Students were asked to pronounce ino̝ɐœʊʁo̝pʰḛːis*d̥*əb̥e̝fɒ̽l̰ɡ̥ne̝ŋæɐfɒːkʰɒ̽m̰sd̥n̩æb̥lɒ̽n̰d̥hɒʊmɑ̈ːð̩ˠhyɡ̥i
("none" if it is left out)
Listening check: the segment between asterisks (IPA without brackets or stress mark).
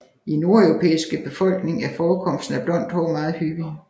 ɡ̥